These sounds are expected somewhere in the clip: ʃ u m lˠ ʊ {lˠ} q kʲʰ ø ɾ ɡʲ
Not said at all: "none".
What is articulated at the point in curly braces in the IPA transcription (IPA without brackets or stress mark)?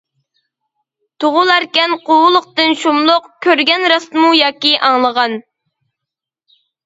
none